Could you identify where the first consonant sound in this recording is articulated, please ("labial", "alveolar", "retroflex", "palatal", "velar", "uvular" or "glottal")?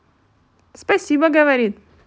alveolar